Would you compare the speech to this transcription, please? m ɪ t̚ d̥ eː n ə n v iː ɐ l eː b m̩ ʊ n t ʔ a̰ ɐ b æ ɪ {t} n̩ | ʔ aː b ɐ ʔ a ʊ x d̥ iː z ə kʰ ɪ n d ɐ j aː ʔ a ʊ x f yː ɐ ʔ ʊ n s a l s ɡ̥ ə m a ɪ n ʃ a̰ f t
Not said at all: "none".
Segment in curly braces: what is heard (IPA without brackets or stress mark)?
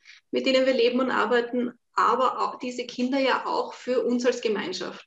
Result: t